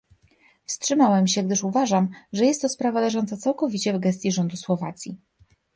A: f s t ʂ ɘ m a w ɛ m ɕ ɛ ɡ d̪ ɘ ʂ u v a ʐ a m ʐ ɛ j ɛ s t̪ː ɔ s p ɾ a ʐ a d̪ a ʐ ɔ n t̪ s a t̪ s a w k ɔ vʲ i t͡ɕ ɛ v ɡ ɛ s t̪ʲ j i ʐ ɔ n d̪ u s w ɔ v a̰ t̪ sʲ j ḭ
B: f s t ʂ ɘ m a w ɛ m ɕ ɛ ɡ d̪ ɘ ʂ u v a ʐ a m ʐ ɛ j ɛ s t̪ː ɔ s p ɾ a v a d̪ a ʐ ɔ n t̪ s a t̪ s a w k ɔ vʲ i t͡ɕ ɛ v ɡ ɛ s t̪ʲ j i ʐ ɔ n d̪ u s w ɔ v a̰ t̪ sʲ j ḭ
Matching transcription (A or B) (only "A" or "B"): B